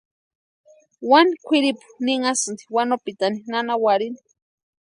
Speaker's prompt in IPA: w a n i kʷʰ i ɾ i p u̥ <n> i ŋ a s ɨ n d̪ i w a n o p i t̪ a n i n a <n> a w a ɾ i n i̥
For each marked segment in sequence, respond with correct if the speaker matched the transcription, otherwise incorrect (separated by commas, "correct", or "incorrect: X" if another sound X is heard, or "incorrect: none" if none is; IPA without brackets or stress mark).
correct, correct